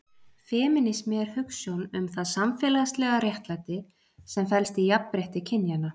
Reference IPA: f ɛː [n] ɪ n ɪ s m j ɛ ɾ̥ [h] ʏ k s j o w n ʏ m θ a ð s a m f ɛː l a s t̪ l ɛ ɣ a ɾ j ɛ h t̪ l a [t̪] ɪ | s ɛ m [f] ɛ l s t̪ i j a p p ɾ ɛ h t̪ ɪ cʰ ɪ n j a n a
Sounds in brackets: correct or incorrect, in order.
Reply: incorrect, correct, correct, correct

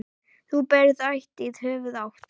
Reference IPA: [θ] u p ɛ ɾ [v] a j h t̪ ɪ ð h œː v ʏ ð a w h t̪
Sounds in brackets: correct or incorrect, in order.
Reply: correct, incorrect

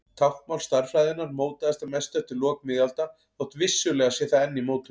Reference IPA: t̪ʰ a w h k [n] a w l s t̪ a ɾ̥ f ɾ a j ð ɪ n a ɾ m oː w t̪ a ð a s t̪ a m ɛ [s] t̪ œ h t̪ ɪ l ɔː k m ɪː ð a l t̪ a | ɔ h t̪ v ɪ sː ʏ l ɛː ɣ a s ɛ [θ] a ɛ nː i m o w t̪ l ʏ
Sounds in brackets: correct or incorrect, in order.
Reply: incorrect, correct, correct

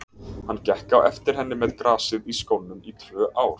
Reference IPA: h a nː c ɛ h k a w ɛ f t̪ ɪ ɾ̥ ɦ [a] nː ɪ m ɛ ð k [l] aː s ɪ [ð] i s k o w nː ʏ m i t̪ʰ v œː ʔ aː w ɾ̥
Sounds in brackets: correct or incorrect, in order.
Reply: incorrect, incorrect, correct

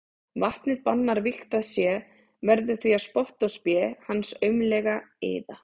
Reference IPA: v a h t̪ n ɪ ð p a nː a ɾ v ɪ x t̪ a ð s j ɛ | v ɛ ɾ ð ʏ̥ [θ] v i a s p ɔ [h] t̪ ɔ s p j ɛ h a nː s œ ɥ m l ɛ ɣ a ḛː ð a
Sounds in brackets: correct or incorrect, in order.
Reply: correct, correct

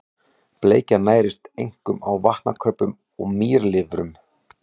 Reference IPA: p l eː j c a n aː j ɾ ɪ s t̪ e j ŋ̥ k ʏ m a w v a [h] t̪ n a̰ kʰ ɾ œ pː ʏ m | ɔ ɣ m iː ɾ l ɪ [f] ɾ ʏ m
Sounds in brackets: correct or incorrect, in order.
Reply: correct, incorrect

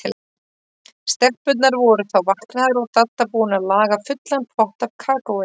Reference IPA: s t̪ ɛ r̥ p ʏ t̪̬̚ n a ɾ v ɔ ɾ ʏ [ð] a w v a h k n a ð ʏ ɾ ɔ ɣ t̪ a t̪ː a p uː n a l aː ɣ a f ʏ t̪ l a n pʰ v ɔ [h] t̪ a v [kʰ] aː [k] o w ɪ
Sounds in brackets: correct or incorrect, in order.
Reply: incorrect, correct, correct, correct

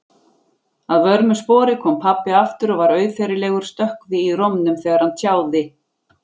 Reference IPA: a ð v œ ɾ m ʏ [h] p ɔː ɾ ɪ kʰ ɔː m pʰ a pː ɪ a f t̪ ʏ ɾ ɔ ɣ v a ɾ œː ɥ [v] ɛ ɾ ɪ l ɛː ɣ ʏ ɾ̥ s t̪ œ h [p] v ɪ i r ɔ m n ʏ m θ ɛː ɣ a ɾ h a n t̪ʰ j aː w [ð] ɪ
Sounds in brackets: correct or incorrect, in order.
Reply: incorrect, incorrect, incorrect, correct

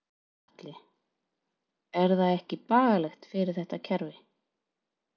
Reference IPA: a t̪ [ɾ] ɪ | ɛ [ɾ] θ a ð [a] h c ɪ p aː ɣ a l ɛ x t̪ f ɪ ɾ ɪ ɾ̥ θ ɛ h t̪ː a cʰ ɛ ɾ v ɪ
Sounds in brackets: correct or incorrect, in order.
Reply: incorrect, correct, incorrect

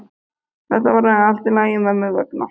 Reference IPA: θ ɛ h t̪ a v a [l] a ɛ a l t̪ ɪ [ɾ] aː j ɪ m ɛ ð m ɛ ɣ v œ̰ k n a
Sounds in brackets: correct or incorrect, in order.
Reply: incorrect, incorrect

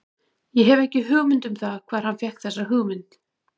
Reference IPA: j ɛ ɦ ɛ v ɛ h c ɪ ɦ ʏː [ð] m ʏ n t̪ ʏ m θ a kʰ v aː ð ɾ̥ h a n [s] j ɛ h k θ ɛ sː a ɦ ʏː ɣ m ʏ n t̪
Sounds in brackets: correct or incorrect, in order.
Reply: incorrect, incorrect

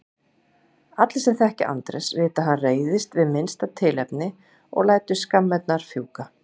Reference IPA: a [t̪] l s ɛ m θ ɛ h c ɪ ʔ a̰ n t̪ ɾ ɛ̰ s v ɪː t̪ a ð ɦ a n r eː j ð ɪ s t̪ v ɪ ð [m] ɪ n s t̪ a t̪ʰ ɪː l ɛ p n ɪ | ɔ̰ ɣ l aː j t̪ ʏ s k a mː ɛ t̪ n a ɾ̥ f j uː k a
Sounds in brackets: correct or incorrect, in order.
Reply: correct, correct

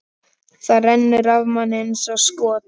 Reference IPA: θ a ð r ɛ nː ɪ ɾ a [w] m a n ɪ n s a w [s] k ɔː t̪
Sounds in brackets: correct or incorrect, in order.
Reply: incorrect, correct

